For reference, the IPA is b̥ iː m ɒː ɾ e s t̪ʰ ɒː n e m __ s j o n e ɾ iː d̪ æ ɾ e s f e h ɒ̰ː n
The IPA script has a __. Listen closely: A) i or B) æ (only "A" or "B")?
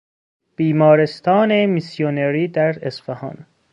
A